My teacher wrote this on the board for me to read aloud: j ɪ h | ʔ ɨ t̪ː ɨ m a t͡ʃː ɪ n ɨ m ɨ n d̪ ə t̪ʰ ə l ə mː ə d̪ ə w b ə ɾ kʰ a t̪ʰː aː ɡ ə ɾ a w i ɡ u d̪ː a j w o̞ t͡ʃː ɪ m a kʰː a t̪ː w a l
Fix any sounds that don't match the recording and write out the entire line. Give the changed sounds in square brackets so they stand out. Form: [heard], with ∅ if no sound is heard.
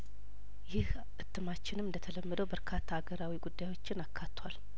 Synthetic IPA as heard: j ɪ h | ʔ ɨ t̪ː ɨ m a t͡ʃː ɪ n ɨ m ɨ n d̪ ə t̪ʰ ə l ə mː ə d̪ ə w b ə ɾ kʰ a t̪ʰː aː ɡ ə ɾ a w i ɡ u d̪ː a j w o̞ t͡ʃː ɪ [n] a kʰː a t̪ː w a l